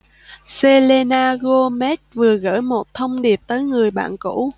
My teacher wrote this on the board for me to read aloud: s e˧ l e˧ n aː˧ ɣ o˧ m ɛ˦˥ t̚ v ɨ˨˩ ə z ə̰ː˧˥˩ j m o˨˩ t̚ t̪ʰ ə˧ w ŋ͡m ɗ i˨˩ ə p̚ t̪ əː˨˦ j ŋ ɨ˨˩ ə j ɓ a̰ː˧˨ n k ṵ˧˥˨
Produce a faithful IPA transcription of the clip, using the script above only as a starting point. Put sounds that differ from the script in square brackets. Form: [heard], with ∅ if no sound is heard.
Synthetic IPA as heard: s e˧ l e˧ n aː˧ ɣ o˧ m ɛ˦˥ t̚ v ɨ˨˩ ə [ɣ] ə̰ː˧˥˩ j m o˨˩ t̚ t̪ʰ ə˧ w ŋ͡m ɗ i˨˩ ə p̚ t̪ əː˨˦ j ŋ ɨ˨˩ ə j ɓ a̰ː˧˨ n k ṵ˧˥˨